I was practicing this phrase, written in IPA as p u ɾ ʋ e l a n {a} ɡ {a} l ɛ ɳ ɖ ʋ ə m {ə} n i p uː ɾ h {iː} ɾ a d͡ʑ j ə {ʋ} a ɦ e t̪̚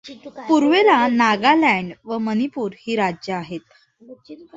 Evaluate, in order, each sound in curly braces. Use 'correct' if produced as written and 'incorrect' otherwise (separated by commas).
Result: correct, correct, correct, correct, incorrect